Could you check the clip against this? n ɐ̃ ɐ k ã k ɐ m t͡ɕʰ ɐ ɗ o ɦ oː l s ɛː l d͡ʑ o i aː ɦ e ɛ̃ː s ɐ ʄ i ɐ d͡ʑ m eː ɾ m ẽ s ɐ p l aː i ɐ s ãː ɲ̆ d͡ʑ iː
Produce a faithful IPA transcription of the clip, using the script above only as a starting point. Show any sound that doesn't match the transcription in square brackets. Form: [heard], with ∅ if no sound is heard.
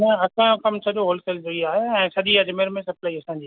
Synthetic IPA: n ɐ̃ ɐ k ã k ɐ m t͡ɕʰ ɐ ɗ o ɦ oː l s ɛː l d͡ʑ o i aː ɦ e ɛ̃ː s ɐ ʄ i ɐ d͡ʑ m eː ɾ m ẽ s ɐ p l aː i ɐ s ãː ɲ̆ d͡ʑ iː

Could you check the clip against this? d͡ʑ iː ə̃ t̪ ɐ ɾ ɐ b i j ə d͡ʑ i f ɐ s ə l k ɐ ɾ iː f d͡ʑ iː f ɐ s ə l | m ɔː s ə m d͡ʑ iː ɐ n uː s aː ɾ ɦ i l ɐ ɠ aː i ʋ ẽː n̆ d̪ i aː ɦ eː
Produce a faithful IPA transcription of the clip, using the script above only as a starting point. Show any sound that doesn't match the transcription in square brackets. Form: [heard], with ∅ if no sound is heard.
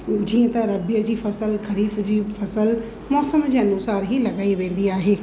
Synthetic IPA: d͡ʑ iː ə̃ t̪ ɐ ɾ ɐ b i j ə d͡ʑ [iː] f ɐ s ə l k ɐ ɾ iː f d͡ʑ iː f ɐ s ə l | m ɔː s ə m d͡ʑ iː ɐ n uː s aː ɾ ɦ i l ɐ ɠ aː i ʋ ẽː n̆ d̪ i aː ɦ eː

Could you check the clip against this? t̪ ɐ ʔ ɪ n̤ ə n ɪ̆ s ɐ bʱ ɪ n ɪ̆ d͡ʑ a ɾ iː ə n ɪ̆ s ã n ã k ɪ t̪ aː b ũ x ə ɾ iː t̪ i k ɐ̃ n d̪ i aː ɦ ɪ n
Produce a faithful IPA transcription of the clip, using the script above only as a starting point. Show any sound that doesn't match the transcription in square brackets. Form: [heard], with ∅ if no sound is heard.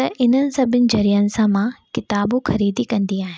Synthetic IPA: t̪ ɐ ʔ ɪ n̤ ə n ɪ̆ s ɐ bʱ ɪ n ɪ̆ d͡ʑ [ɐ] ɾ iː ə n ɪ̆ s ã [m] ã k ɪ t̪ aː b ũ x [ɐ] ɾ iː [d̪] i k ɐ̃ n d̪ i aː ɦ ɪ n

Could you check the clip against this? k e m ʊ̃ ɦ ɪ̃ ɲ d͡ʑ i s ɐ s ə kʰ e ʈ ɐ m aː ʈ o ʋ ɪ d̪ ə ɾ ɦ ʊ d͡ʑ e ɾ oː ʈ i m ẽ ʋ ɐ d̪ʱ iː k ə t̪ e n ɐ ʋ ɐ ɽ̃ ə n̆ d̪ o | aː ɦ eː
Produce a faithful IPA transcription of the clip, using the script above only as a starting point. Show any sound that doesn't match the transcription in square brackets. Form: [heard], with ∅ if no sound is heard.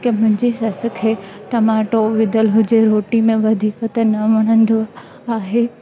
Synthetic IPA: k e m ʊ̃ ɦ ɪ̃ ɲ d͡ʑ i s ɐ s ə kʰ e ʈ ɐ m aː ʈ o ʋ ɪ d̪ ə [l] ɦ ʊ d͡ʑ e ɾ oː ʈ i m ẽ ʋ ɐ d̪ʱ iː k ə t̪ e n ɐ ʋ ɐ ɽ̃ ə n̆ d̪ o | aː ɦ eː

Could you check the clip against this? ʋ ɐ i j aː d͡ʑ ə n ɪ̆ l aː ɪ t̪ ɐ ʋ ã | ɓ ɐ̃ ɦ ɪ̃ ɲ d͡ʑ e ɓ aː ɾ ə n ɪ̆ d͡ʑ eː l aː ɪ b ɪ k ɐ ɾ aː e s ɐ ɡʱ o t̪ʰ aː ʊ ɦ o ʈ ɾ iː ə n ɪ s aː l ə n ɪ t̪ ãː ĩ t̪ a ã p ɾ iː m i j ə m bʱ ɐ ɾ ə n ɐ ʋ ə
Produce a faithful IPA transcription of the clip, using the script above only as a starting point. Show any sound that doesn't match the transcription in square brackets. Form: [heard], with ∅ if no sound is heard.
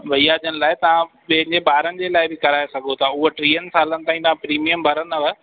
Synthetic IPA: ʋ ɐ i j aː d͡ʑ ə n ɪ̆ l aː ɪ t̪ ɐ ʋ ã | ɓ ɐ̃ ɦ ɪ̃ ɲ d͡ʑ e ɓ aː ɾ ə n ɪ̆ d͡ʑ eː l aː ɪ b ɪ k ɐ ɾ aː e s ɐ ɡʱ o t̪ʰ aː ʊ ɦ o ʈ ɾ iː ə n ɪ s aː l ə n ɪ t̪ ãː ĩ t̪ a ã p ɾ iː m i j ə m bʱ ɐ ɾ ə n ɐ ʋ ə

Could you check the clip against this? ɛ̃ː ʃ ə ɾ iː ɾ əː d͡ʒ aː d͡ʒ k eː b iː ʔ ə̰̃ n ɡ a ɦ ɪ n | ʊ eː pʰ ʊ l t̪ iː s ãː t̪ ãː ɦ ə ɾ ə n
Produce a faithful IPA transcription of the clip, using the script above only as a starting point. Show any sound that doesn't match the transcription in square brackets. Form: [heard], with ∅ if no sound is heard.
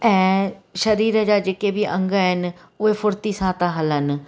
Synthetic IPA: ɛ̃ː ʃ ə ɾ iː ɾ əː d͡ʒ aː d͡ʒ k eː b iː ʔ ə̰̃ [ŋ] ɡ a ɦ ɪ n | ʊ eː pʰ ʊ [ɾ] t̪ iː s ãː t̪ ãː ɦ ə [l] ə n

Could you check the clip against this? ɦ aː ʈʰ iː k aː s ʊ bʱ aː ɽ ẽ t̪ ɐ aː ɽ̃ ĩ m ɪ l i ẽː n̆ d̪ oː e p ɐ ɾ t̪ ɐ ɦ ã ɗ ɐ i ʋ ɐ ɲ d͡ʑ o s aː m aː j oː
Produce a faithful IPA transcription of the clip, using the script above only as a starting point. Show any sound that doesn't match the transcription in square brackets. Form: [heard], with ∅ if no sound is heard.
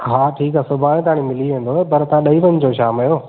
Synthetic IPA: ɦ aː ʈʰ iː k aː s ʊ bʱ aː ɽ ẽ t̪ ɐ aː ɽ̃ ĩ m ɪ l i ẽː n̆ d̪ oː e p ɐ ɾ t̪ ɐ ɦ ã ɗ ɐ i ʋ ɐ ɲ d͡ʑ o [ʃ] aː m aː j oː

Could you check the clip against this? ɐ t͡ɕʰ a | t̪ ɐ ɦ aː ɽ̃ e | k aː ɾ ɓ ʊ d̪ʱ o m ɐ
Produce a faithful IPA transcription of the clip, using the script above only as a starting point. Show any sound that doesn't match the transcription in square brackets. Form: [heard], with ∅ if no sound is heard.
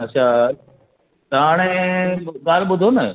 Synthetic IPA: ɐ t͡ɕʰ a | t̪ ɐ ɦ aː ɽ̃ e | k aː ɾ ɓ ʊ d̪ʱ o [n] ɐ

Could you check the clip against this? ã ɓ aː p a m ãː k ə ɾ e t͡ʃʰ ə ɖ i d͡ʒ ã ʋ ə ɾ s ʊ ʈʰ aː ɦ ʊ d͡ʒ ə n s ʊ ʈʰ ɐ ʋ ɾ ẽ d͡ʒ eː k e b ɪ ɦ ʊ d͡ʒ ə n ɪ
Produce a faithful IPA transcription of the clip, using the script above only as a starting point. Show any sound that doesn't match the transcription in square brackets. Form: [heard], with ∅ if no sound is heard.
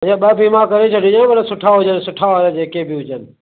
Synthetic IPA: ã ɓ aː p [i] m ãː k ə ɾ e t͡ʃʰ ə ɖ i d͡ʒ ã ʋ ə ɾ s ʊ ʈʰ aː ɦ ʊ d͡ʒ ə n s ʊ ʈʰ [a] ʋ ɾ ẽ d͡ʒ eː k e b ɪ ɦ ʊ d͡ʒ ə n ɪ

